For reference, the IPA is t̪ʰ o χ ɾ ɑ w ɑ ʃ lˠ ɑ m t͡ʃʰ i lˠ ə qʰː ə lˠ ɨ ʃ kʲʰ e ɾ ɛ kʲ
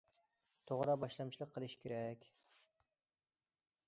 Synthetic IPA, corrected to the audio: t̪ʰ o ʁ ɾ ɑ b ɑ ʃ lˠ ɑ m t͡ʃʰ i lˠ ə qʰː ə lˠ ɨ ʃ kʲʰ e ɾ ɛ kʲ